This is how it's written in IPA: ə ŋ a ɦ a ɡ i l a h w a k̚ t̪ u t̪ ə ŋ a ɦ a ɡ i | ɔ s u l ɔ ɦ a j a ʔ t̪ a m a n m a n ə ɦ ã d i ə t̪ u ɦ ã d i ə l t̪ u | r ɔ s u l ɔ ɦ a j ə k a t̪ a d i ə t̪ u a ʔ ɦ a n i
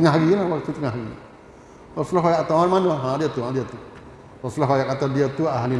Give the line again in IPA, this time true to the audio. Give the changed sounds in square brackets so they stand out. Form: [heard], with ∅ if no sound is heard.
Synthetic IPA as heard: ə ŋ a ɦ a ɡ i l a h w a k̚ t̪ u t̪ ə ŋ a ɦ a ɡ i | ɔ s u l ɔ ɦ a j a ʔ t̪ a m a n m a n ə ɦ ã d i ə t̪ u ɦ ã d i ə [∅] t̪ u | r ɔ s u l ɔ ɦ a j [a] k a t̪ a d i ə t̪ u a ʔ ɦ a n i